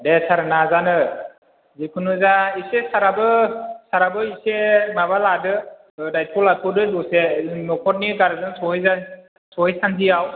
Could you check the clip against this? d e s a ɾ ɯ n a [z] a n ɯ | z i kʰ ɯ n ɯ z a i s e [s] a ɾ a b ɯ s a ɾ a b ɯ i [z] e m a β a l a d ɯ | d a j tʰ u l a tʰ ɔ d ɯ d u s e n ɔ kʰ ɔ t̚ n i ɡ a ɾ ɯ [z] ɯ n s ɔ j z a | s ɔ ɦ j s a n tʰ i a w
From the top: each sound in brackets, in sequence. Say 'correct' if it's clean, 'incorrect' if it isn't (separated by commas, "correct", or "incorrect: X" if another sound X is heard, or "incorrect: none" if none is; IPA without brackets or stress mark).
correct, correct, incorrect: s, correct